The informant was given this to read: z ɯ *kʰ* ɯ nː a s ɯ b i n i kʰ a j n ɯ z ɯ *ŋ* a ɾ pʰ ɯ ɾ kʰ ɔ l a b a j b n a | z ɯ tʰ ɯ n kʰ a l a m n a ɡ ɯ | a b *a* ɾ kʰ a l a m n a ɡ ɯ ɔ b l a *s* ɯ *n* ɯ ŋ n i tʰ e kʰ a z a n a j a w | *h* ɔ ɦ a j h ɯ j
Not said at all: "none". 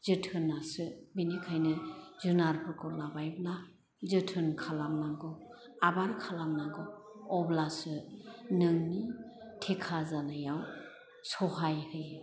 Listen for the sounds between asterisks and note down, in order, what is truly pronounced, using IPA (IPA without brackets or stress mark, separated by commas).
tʰ, n, a, s, n, s